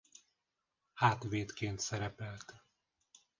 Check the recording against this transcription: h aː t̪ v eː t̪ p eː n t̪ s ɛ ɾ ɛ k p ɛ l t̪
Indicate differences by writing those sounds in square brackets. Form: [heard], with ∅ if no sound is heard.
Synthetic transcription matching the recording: h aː t̪ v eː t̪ [k] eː n t̪ s ɛ ɾ ɛ [∅] p ɛ l t̪